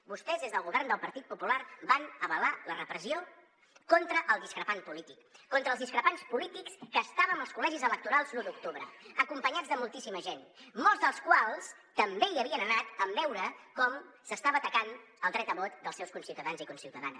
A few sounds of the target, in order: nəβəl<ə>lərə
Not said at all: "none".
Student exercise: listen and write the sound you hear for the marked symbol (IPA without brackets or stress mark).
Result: a